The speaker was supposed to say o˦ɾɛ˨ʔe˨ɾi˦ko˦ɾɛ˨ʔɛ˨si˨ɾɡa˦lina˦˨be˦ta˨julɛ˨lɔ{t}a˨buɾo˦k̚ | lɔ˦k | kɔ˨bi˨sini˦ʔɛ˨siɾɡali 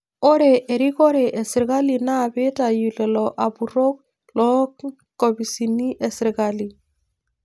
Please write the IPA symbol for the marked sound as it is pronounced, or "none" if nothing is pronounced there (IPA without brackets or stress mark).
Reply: ʔ